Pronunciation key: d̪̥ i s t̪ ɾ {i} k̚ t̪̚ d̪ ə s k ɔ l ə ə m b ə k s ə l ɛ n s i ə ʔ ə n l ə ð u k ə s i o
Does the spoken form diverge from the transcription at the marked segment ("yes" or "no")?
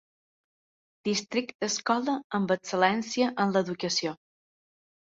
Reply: no